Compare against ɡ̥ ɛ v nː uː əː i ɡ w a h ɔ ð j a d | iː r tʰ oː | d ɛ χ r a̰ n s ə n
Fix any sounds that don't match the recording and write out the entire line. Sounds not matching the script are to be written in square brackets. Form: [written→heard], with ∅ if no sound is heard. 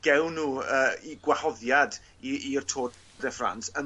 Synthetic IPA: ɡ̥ ɛ [v→w] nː uː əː i ɡ w a h ɔ ð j a d | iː r tʰ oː | d ɛ [χ→f] r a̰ n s ə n